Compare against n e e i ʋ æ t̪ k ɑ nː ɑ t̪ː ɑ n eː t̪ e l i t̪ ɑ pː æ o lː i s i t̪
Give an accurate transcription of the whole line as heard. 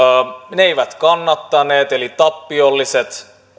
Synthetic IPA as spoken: n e e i ʋ æ t̪ k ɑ nː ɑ t̪ː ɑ n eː t̪ e l i t̪ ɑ pː i o lː i s e t̪